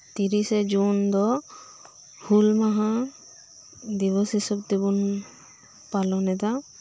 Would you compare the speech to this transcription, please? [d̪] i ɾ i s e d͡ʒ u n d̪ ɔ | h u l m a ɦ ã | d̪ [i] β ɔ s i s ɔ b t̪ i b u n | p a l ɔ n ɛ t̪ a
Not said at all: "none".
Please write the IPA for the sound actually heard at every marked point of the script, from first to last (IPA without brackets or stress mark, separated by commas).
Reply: t̪, i